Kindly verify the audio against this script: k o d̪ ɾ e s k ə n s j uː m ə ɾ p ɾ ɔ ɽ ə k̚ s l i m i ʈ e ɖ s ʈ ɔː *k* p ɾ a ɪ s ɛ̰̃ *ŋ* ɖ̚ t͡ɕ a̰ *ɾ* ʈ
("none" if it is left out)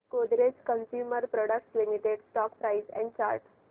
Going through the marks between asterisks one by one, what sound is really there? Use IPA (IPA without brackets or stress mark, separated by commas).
k, ɳ, ɾ